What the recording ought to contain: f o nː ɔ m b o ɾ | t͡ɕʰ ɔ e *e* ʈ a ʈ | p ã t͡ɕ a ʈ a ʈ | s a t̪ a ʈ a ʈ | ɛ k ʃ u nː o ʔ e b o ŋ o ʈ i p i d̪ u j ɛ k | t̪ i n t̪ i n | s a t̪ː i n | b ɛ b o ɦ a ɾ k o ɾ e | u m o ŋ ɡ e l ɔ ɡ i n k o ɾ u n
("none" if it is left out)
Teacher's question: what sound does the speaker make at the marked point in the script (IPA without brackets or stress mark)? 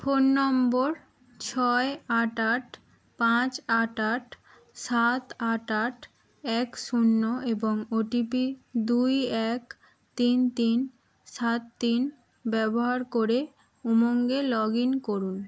a